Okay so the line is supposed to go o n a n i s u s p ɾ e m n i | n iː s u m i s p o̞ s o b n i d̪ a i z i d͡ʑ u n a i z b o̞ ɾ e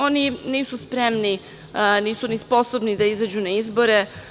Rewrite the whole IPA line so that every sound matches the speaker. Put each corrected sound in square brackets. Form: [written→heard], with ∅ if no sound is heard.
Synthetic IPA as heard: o n [a→i] n [i→iː] s u s p ɾ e m n i | n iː s u [m→n] i s p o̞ s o b n i d̪ a i z [i→a] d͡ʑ u n a i z b o̞ ɾ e